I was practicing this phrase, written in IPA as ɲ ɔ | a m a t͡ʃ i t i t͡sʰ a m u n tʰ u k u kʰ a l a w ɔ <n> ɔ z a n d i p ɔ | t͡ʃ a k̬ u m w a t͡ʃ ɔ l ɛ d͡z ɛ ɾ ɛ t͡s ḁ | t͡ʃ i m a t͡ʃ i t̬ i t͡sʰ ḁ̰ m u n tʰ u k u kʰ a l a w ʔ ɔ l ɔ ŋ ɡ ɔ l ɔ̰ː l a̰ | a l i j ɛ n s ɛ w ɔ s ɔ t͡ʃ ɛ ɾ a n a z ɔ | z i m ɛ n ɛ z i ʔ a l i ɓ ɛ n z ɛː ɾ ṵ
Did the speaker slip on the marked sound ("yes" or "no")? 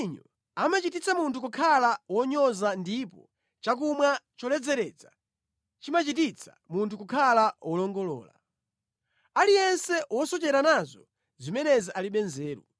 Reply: yes